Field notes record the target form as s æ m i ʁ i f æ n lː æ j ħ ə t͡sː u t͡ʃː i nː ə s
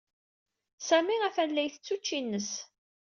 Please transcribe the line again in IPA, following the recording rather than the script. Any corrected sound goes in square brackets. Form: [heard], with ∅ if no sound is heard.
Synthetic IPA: s æ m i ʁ [æ] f æ n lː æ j [θ] ə t͡sː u t͡ʃː i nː ə s